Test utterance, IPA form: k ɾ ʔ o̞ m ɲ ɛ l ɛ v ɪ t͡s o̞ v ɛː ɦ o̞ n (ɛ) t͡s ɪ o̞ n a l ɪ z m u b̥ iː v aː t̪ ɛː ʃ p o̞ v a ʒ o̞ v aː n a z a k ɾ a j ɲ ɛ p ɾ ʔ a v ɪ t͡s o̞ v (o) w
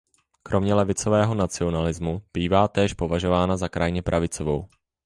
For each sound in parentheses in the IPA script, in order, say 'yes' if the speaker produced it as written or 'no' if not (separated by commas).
no, yes